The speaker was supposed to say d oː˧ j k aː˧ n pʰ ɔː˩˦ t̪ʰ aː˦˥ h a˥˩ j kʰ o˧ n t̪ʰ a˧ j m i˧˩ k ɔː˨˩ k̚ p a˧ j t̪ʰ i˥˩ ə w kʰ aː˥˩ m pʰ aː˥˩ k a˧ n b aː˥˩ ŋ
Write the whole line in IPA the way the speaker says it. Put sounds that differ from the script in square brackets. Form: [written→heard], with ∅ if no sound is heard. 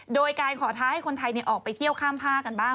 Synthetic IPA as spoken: d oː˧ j k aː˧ n [pʰ→kʰ] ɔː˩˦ t̪ʰ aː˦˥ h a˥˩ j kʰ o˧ n t̪ʰ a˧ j [m→n] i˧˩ [k→ʔ] ɔː˨˩ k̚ p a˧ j t̪ʰ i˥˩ ə w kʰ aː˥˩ m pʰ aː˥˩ k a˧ n b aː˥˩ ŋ